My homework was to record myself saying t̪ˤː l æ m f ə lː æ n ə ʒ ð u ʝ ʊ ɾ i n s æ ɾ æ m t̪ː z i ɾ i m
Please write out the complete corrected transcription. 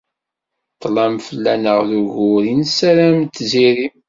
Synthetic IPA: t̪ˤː l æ m f ə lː æ n ə ʁ ð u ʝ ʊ ɾ i n s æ ɾ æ m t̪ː z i ɾ i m